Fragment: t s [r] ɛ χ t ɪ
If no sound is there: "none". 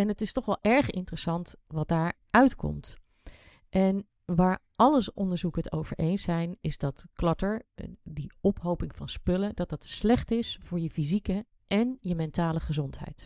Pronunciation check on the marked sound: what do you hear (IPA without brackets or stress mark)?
l